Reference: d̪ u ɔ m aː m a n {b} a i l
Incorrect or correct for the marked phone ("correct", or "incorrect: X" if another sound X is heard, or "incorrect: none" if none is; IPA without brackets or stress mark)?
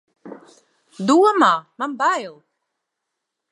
correct